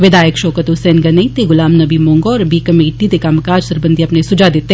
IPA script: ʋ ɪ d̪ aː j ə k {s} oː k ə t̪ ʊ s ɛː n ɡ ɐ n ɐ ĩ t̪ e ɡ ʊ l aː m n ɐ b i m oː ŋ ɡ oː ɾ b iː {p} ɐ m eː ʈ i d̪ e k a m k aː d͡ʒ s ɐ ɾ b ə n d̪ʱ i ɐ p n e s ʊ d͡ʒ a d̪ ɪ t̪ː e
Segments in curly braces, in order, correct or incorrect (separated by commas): incorrect, incorrect